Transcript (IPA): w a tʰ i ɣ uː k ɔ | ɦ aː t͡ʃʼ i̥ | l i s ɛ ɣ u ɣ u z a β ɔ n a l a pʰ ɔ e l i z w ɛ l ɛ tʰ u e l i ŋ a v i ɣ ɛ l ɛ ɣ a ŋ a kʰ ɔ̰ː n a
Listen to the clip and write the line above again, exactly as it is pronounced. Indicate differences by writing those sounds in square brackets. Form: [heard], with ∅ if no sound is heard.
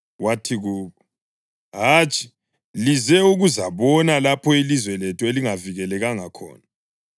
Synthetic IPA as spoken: w a tʰ i ɣ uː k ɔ | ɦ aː t͡ʃʼ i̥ | l i [z] ɛ [∅] u ɣ u z a β ɔ n a l a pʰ ɔ [i] l i z w ɛ l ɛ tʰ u e l i ŋ a v i ɣ ɛ l ɛ ɣ a ŋ a kʰ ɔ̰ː n a